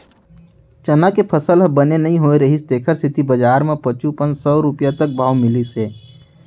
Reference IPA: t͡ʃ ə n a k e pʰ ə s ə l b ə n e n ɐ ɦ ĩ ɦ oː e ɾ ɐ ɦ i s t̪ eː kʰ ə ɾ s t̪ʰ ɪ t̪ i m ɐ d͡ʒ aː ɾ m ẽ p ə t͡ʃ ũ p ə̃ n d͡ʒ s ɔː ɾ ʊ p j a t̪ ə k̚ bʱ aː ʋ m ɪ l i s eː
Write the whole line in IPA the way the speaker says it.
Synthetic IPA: t͡ʃ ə n a k e pʰ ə s ə l b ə n e n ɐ ɦ ĩ ɦ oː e ɾ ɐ ɦ i s t̪ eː kʰ ə ɾ s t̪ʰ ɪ t̪ i b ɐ d͡ʒ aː ɾ m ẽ p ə t͡ʃ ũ p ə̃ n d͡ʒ s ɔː ɾ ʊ p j a t̪ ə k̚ bʱ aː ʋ m ɪ l i s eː

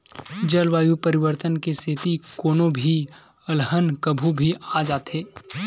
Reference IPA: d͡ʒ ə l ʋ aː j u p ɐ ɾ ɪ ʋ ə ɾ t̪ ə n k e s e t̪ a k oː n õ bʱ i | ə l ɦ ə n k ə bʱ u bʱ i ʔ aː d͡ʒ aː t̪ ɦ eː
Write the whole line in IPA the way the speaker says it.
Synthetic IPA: d͡ʒ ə l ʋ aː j u p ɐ ɾ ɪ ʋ ə ɾ t̪ ə n k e s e t̪ i k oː n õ bʱ i | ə l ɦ ə n k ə bʱ u bʱ i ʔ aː d͡ʒ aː t̪ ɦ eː

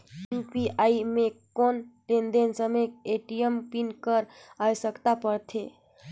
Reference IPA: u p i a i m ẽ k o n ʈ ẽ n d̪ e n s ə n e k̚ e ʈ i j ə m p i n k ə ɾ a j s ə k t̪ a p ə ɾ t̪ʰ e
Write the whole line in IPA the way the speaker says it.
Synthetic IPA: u p i a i m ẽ k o n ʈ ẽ n d̪ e n s ə m e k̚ e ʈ i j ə m p i n k ə ɾ a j s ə k t̪ a p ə ɾ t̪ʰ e

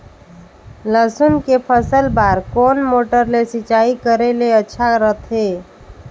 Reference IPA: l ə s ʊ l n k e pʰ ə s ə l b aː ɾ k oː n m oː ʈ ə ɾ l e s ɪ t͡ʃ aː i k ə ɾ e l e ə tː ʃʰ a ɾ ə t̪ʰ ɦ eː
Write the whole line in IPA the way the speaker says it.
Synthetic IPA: l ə s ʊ n k e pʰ ə s ə l b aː ɾ k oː n m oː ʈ ə ɾ l e s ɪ t͡ʃ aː i k ə ɾ e l e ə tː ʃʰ a ɾ ə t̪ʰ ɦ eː

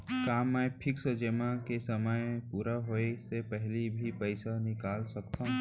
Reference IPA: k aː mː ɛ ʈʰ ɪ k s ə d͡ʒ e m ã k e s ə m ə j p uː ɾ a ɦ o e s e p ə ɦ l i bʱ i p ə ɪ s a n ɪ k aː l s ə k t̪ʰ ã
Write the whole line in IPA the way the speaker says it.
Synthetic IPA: k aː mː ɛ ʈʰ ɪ k s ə d͡ʒ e m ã k e s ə m ə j p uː ɾ a ɦ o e s e p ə ɦ l i bʱ i p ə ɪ s a n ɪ k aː l s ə k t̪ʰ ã

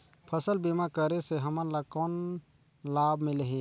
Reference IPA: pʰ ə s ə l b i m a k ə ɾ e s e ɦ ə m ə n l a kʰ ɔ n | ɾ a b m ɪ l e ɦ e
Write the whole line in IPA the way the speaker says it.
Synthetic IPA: pʰ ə s ə l b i m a k ə ɾ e s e ɦ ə m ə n l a k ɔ n | l a b m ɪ l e ɦ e

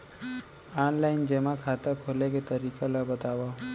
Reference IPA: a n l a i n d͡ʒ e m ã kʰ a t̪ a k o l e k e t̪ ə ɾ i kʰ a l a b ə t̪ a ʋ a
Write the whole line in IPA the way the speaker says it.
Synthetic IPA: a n l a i n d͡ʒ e m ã kʰ a t̪ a kʰ o l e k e t̪ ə ɾ i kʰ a l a b ə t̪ a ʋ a

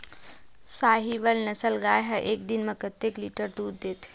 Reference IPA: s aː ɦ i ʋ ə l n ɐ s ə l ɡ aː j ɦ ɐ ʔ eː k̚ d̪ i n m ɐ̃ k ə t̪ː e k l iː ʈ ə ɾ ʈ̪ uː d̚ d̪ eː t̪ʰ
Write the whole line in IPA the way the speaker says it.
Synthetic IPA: s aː ɦ i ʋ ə l n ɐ s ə l ɡ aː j ɦ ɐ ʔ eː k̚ d̪ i n m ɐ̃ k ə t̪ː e k l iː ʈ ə ɾ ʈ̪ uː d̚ d̪ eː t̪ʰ

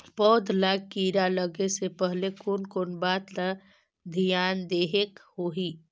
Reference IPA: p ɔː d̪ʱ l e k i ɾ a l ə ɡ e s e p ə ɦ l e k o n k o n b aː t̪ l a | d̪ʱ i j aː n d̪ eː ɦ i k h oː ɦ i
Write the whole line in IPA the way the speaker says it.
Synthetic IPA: p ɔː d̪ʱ l a k i ɾ a l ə ɡ e s e p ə ɦ l e k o n k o n b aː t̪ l a | d̪ʱ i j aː n d̪ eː ɦ e k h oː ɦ i

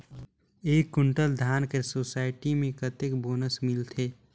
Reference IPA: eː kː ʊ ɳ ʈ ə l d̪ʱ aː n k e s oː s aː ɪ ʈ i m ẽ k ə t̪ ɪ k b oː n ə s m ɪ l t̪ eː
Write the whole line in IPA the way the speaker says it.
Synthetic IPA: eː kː ʊ ɳ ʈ ə l d̪ʱ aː n k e s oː s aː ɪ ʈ i m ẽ k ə t̪ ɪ k b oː n ə s m ɪ l t̪ʰ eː

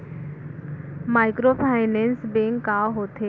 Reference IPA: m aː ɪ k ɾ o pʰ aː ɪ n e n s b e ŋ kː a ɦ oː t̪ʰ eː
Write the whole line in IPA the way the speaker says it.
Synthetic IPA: m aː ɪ k ɾ o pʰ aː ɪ n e n s b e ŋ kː a ɦ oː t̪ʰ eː

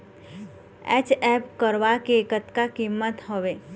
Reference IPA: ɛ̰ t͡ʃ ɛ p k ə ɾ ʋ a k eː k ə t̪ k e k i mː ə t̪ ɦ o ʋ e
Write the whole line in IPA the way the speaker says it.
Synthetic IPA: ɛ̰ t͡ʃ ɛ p k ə ɾ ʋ a k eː k ə t̪ k a k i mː ə t̪ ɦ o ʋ e

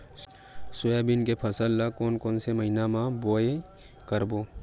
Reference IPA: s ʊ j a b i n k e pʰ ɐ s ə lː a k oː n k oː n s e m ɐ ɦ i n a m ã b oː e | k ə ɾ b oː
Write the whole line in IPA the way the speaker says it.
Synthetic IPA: s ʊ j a b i n k e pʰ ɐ s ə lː a k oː n k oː n s e m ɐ ɦ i n a m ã b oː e | k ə ɾ b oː

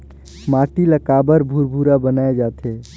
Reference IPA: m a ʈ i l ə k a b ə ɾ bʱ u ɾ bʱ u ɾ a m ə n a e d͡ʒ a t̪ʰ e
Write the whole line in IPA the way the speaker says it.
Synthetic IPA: m a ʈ i l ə k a b ə ɾ bʱ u ɾ bʱ u ɾ a b ə n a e d͡ʒ a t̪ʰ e

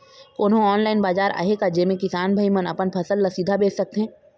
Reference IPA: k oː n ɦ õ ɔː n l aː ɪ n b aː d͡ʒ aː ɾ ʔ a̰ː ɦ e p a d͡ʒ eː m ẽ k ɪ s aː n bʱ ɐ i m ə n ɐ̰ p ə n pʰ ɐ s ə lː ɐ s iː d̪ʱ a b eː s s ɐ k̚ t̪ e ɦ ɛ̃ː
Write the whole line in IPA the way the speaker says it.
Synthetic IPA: k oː n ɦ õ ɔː n l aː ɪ n b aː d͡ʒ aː ɾ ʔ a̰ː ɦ e k a d͡ʒ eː m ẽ k ɪ s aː n bʱ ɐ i m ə n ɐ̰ p ə n pʰ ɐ s ə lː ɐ s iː d̪ʱ a b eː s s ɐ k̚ t̪ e ɦ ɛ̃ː

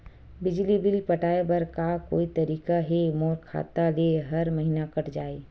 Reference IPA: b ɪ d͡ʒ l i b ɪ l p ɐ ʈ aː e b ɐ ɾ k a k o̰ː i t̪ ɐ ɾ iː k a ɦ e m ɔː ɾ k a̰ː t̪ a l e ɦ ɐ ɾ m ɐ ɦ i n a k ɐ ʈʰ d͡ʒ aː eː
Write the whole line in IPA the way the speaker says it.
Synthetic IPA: b ɪ d͡ʒ l i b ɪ l p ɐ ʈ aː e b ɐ ɾ k a k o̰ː i t̪ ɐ ɾ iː k a ɦ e m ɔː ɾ kʰ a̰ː t̪ a l e ɦ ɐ ɾ m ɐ ɦ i n a k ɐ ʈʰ d͡ʒ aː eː

